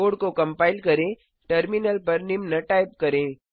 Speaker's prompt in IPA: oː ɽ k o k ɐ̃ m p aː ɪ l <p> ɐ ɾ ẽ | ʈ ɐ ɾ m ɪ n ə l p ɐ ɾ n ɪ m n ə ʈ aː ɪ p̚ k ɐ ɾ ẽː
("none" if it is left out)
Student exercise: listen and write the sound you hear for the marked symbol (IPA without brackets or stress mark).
k